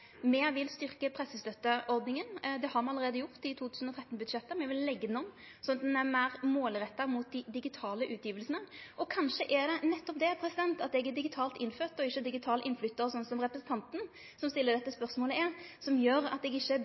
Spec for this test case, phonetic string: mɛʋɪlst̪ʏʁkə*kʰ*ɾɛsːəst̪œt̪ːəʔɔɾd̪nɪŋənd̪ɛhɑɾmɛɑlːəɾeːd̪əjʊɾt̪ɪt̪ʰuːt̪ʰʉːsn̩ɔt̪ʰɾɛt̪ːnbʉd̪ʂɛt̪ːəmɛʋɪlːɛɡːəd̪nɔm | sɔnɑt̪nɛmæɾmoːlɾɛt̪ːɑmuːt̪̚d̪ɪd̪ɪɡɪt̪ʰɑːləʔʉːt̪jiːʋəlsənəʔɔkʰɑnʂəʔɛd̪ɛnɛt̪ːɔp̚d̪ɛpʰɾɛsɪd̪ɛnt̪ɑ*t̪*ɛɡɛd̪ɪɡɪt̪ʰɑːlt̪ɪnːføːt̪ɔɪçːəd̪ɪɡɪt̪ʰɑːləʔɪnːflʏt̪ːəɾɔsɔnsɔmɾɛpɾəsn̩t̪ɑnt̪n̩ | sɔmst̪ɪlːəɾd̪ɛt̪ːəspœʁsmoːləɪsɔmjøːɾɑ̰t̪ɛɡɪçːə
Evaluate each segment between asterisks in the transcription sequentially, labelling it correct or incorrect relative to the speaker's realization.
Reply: incorrect, correct

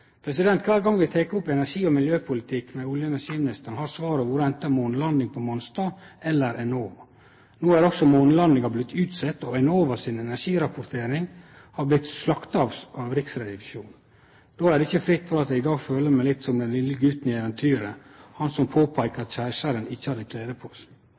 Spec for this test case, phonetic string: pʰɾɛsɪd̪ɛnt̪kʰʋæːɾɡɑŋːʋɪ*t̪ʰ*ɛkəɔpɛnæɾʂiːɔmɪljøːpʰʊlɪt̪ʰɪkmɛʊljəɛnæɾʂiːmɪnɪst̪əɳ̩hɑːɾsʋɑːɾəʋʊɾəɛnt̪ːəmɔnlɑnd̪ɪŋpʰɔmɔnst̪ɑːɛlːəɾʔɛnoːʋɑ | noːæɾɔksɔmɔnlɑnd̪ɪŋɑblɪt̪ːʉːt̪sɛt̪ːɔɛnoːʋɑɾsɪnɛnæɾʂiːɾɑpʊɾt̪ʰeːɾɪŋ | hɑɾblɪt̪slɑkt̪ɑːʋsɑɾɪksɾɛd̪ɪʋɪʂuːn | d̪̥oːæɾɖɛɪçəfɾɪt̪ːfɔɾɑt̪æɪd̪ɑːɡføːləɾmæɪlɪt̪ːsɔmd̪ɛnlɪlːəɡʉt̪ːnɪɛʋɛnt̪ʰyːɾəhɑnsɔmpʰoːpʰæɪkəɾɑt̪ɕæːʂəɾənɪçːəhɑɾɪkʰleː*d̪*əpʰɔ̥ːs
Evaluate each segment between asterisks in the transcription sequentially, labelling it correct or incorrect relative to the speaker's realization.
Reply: correct, correct

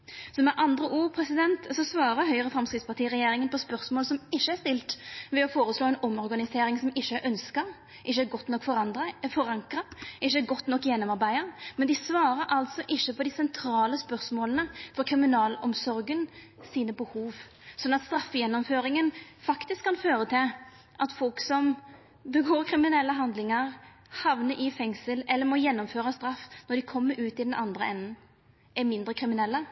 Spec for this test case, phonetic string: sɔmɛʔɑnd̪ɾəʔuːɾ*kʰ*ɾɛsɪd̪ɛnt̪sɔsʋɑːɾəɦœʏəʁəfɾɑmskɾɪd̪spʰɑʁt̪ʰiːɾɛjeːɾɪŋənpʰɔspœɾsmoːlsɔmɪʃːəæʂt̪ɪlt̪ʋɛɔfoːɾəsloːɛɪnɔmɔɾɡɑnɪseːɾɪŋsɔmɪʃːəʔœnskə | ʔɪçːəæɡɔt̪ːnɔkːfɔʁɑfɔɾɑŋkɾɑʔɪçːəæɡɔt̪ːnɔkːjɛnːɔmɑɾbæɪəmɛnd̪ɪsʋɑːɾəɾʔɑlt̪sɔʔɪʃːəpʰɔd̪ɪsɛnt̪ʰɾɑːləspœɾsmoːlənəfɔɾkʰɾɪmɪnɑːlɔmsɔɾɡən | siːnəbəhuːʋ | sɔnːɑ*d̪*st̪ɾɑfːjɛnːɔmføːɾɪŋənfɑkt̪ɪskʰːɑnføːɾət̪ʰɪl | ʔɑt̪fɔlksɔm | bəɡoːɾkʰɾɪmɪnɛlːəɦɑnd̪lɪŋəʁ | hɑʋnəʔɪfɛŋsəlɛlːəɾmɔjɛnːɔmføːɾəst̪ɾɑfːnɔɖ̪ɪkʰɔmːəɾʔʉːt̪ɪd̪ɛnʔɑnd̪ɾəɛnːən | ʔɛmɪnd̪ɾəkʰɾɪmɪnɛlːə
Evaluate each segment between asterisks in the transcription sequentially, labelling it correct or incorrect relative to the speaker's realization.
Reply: incorrect, incorrect

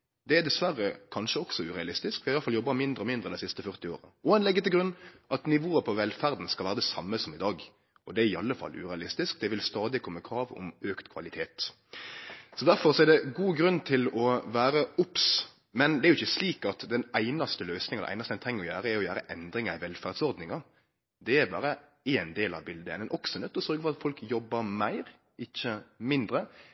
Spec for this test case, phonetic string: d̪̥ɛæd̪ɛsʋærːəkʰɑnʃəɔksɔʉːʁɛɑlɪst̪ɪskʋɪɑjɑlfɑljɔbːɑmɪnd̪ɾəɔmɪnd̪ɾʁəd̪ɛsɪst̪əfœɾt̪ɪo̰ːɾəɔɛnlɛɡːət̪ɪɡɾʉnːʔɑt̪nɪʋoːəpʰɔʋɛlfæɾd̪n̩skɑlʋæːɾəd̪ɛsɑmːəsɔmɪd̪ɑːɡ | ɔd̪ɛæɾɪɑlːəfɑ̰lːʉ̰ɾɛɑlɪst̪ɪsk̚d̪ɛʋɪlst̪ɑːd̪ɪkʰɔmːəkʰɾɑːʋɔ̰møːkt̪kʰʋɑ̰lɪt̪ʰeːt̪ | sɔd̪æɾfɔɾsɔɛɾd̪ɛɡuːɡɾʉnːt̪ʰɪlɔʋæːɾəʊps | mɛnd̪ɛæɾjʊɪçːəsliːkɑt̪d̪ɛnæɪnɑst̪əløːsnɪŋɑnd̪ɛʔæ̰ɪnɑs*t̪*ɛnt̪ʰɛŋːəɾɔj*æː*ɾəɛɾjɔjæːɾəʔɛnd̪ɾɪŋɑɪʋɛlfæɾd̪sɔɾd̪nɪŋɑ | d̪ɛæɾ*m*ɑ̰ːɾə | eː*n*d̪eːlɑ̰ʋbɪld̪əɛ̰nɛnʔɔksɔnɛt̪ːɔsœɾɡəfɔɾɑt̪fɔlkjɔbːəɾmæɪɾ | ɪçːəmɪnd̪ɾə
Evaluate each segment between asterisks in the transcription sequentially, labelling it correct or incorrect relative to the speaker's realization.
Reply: correct, correct, incorrect, correct

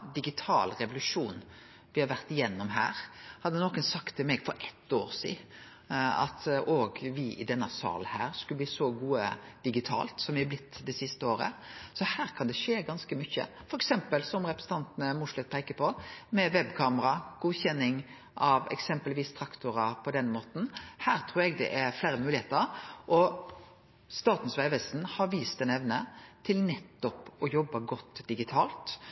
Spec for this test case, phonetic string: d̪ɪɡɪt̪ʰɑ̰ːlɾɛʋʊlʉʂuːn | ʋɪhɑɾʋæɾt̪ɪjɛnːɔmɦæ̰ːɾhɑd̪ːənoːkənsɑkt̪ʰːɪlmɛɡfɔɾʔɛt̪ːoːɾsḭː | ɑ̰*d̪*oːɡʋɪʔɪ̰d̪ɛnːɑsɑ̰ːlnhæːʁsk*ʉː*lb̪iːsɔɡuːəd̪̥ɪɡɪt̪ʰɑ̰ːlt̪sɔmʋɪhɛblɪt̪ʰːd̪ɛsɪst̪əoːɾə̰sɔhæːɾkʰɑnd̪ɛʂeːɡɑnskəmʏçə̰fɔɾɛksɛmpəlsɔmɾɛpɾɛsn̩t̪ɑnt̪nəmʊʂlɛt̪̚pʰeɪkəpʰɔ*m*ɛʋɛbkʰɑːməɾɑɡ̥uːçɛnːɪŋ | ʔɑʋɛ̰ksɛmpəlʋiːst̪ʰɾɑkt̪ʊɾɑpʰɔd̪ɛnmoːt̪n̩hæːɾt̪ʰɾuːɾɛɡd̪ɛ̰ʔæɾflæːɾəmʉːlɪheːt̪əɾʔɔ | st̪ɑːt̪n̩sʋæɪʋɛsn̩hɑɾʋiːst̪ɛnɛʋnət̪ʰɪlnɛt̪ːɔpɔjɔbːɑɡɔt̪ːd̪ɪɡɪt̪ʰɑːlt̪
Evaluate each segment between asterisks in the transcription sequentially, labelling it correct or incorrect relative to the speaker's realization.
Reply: incorrect, incorrect, correct

